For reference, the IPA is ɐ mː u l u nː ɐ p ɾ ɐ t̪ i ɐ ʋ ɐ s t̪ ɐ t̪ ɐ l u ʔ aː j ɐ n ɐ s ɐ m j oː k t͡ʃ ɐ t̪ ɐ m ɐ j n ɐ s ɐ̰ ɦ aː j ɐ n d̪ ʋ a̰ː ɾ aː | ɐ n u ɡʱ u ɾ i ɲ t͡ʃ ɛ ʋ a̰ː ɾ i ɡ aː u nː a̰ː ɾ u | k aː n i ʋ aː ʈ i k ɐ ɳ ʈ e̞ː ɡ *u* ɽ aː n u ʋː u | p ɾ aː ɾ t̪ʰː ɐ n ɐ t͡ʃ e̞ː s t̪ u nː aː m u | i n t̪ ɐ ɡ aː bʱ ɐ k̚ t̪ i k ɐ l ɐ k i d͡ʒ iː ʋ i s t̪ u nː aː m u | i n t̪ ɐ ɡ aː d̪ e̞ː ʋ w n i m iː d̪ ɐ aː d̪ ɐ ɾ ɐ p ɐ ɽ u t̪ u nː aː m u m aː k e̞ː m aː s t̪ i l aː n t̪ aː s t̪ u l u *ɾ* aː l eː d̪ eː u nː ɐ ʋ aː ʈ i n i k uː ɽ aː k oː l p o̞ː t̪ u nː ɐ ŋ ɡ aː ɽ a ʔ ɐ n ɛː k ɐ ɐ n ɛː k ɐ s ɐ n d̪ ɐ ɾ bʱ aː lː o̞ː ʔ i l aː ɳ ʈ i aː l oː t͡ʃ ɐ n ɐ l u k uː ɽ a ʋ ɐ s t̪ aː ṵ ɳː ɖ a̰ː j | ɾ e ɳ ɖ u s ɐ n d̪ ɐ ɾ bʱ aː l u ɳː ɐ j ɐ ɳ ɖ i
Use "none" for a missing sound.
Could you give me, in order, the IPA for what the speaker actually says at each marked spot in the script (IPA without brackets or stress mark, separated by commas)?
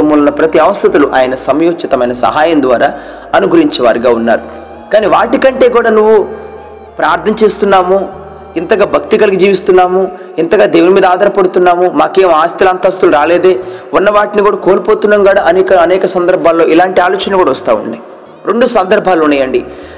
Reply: uː, ɾ